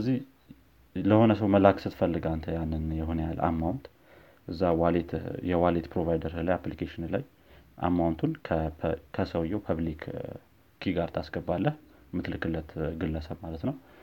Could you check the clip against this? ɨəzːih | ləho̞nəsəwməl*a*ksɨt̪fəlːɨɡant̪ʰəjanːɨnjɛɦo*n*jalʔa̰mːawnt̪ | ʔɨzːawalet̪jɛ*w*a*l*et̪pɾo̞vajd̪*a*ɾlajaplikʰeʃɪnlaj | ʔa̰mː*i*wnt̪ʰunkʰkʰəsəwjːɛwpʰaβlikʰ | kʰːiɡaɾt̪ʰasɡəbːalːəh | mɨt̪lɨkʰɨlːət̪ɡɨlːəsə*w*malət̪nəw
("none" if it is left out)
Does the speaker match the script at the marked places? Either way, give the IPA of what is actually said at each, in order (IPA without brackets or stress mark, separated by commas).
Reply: a, n, w, l, ə, a, β